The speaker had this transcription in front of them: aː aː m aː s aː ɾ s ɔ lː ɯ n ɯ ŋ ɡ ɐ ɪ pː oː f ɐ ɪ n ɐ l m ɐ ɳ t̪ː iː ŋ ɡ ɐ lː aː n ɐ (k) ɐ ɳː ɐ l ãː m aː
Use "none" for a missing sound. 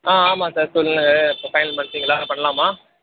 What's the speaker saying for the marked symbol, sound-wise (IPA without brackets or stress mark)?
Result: p